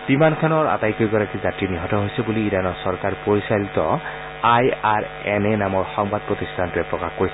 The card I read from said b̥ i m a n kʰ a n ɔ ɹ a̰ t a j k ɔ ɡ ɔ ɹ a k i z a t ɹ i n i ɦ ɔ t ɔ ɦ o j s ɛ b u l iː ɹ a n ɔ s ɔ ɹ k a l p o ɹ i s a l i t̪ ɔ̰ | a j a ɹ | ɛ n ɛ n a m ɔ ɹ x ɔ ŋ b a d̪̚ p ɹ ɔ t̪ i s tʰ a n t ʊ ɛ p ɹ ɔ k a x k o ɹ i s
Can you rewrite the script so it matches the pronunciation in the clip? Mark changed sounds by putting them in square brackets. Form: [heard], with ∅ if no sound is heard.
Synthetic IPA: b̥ i m a n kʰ a n ɔ ɹ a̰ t a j k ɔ ɡ ɔ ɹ a k i z a t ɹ i n i ɦ ɔ t ɔ ɦ o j s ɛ b u l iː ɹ a n ɔ s ɔ ɹ k a [ɹ] p o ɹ i s a l i t̪ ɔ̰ | a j a ɹ | ɛ n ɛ n a m ɔ ɹ x ɔ ŋ b a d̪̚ p ɹ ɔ t̪ i s tʰ a n t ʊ ɛ p ɹ ɔ k a x k o ɹ i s

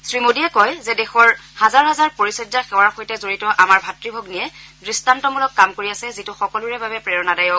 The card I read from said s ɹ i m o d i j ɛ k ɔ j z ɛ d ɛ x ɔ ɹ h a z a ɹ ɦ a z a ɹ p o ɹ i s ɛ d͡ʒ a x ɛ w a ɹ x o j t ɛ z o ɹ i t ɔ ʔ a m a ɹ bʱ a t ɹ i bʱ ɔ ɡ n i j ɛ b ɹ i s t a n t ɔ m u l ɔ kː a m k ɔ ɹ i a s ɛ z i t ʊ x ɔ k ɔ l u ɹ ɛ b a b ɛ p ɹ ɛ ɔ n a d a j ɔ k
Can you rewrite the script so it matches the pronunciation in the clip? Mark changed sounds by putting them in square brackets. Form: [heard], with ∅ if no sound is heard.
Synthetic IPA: s ɹ i m o d i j ɛ k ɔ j z ɛ d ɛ x ɔ ɹ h a z a ɹ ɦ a z a ɹ p o ɹ i s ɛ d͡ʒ a x ɛ w a ɹ x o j t ɛ z o ɹ i t ɔ ʔ a m a ɹ bʱ a t ɹ i bʱ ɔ ɡ n i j ɛ [d] ɹ i s t a n t ɔ m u l ɔ kː a m k [o] ɹ i a s ɛ z i t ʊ x ɔ k ɔ l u ɹ ɛ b a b ɛ p ɹ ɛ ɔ n a d a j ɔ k

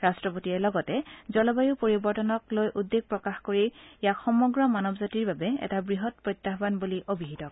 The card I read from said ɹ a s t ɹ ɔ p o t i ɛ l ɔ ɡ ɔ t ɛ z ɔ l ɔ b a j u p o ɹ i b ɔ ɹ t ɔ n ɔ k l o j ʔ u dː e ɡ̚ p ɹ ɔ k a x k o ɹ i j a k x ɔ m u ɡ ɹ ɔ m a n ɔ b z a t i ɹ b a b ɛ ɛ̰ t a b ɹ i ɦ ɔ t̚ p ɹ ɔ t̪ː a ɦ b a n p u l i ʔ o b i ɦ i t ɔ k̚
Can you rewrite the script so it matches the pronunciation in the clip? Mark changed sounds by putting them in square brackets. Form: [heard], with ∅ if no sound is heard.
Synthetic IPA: ɹ a s t ɹ ɔ p o t i ɛ l ɔ ɡ ɔ t ɛ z ɔ l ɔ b a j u p o ɹ i b ɔ ɹ t ɔ n ɔ k l o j ʔ u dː e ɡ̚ p ɹ ɔ k a x k o ɹ i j a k x ɔ m [ɔ] ɡ ɹ ɔ m a n ɔ b z a t i ɹ b a b ɛ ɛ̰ t a b ɹ i ɦ ɔ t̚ p ɹ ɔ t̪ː a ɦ b a n [b] u l i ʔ o b i ɦ i t ɔ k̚

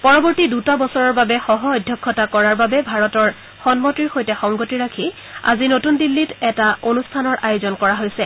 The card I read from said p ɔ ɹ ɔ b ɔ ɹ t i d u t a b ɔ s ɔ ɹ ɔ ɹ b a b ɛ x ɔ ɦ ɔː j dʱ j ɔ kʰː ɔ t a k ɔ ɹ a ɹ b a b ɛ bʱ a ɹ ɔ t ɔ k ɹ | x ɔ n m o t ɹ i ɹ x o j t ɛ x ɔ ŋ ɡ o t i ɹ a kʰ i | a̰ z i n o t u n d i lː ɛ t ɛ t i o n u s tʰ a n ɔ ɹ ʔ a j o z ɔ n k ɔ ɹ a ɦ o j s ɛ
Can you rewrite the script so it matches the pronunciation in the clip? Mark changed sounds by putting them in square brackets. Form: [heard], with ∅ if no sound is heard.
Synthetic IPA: p ɔ ɹ ɔ b ɔ ɹ t i d u t a b ɔ s ɔ ɹ ɔ ɹ b a b ɛ x ɔ ɦ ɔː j dʱ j ɔ kʰː ɔ t a k ɔ ɹ a ɹ b a b ɛ bʱ a ɹ ɔ t ɔ [∅] ɹ | x ɔ n m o t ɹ i ɹ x o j t ɛ x ɔ ŋ ɡ o t i ɹ a kʰ i | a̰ z i n o t u n d i lː [i] t ɛ t [a] o n u s tʰ a n ɔ ɹ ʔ a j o z ɔ n k ɔ ɹ a ɦ o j s ɛ

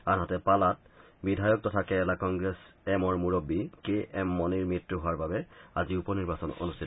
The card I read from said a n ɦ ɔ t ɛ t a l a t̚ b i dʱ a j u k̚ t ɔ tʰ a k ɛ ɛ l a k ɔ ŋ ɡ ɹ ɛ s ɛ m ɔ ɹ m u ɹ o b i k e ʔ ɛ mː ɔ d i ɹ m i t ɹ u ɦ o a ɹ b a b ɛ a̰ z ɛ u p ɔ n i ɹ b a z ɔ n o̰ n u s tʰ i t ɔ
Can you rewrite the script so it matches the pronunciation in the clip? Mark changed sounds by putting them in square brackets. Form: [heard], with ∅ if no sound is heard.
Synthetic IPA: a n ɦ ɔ t ɛ [p] a l a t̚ b i dʱ a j [ɔ] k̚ t ɔ tʰ a k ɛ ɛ l a k ɔ ŋ ɡ ɹ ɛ s ɛ m ɔ ɹ m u ɹ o b i k e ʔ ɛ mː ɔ [n] i ɹ m i t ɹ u ɦ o a ɹ b a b ɛ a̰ z [i] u p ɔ n i ɹ b a [s] ɔ n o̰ n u s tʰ i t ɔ

